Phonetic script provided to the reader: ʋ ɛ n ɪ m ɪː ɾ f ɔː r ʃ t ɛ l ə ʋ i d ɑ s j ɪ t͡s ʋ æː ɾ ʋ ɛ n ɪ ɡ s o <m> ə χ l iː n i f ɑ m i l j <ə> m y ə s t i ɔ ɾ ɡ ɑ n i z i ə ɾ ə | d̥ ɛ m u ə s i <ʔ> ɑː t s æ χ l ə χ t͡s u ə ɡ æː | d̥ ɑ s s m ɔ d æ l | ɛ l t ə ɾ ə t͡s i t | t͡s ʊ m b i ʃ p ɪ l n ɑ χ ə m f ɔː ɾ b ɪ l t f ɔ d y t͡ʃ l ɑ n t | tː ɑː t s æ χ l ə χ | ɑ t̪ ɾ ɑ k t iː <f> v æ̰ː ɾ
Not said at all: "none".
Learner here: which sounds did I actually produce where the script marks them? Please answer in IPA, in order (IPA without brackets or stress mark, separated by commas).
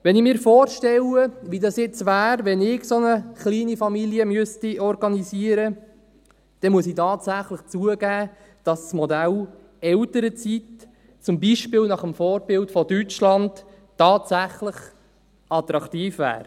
n, ə, t, f